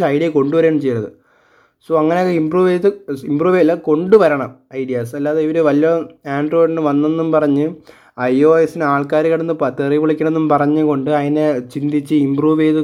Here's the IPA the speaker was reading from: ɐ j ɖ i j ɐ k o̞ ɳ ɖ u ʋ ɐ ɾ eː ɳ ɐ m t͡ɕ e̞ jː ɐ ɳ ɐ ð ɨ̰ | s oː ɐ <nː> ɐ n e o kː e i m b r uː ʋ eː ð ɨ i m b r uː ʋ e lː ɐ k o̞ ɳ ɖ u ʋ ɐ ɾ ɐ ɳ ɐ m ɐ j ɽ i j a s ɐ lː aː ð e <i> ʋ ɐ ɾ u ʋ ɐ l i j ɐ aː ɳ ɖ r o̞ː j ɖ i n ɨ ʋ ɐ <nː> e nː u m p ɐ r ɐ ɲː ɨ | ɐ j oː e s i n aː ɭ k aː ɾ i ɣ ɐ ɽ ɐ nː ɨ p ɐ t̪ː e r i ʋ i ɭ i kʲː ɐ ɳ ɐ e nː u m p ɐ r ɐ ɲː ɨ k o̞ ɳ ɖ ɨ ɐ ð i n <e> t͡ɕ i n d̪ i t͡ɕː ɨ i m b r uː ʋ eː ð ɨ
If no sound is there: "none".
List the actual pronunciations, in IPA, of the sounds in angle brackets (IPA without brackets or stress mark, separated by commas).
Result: ŋː, i, nː, e